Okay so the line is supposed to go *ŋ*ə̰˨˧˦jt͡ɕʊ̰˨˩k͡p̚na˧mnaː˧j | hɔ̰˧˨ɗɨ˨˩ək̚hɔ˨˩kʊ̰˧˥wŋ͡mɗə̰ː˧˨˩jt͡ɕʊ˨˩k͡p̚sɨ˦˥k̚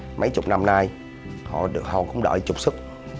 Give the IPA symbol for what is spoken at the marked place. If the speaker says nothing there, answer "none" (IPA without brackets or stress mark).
m